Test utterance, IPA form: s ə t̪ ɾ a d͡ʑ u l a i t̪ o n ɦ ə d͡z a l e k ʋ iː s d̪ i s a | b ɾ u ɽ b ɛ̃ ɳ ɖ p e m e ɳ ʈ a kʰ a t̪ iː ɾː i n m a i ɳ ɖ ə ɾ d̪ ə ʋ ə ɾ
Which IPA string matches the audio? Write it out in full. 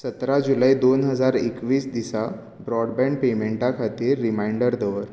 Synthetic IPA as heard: s ə t̪ ɾ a d͡ʑ u l a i d̪ o n ɦ ə d͡z a ɾ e k ʋ iː s d̪ i s a | b ɾ ɔ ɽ b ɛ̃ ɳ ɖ p e m e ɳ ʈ a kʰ a t̪ iː ɾː i m a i ɳ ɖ ə ɾ d̪ ə ʋ ə ɾ